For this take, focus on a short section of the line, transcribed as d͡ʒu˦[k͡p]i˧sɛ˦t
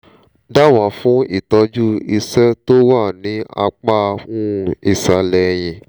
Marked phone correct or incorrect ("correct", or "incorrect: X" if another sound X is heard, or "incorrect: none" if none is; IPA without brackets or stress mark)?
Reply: incorrect: none